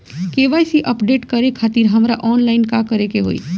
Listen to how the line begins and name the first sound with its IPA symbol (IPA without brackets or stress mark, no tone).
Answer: k